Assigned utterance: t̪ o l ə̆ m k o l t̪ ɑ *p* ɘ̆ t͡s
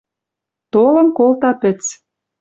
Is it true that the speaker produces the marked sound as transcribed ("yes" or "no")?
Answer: yes